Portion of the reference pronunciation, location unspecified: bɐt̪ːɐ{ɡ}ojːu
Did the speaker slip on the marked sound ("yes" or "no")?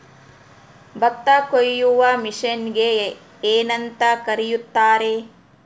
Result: yes